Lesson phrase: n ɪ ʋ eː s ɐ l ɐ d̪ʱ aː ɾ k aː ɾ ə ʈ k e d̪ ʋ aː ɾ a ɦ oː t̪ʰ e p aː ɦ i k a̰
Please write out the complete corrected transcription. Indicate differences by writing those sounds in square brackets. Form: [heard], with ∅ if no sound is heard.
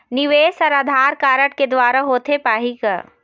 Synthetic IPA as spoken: n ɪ ʋ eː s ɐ [ɾ] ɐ d̪ʱ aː ɾ k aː ɾ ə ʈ k e d̪ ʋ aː ɾ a ɦ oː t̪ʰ e p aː ɦ i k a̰